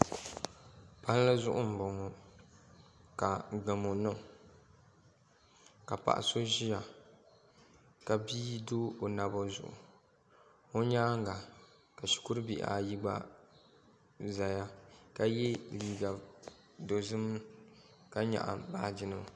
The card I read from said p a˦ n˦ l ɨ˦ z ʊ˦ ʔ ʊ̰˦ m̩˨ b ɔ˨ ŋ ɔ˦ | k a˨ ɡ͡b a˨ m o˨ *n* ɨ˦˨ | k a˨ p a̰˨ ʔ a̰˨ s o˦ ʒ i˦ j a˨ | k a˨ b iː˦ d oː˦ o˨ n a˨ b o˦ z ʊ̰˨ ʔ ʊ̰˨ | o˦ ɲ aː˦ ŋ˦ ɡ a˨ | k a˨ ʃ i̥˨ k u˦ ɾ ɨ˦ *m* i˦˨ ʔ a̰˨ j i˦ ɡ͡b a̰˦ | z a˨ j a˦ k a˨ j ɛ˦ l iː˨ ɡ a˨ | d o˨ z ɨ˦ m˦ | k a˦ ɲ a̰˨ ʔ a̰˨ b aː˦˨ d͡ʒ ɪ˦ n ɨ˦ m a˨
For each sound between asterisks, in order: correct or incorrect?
correct, incorrect

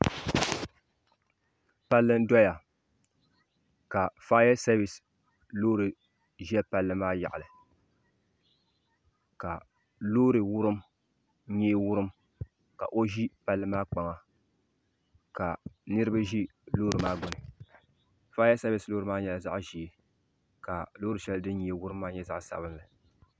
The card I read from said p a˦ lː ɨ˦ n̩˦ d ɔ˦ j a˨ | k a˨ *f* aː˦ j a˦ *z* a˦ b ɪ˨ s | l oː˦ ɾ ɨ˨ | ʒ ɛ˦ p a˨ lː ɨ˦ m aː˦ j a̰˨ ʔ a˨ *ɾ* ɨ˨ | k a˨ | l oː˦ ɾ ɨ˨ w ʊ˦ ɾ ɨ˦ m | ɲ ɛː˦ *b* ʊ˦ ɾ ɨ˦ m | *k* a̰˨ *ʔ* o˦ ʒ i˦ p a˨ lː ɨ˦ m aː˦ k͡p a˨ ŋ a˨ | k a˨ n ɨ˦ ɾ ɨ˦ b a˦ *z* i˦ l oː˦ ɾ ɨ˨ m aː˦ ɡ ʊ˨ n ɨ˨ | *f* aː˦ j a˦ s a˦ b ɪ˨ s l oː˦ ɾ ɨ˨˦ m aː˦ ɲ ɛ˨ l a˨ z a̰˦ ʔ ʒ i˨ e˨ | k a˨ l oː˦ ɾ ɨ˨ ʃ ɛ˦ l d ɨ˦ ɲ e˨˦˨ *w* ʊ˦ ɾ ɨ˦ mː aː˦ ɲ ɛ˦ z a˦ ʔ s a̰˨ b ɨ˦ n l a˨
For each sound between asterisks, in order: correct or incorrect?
correct, incorrect, incorrect, incorrect, correct, correct, incorrect, correct, correct

